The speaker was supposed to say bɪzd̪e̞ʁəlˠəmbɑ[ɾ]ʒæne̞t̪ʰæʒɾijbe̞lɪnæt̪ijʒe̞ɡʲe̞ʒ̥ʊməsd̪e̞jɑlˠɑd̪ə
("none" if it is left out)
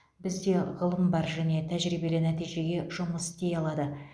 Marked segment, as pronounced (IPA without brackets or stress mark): ɾ